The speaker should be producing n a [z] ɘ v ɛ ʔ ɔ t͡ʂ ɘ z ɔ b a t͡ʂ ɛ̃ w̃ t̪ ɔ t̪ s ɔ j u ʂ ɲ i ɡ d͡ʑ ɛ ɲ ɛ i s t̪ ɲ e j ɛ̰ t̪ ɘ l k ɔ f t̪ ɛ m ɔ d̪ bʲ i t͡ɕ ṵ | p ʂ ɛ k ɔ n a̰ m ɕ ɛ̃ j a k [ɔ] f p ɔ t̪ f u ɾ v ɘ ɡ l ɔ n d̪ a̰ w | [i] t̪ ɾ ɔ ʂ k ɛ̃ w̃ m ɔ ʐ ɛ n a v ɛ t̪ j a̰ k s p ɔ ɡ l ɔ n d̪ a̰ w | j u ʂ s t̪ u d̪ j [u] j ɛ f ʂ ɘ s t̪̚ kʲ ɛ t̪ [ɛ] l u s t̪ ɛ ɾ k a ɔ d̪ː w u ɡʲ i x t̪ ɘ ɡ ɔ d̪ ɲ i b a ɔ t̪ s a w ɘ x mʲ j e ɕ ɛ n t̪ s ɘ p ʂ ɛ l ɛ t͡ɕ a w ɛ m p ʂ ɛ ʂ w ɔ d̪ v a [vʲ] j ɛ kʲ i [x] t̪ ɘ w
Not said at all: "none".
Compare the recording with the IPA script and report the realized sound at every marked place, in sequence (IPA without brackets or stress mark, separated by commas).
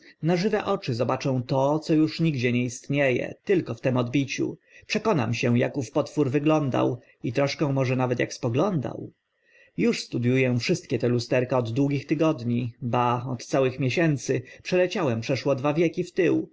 ʐ, u, i, u, ɛ, vʲ, f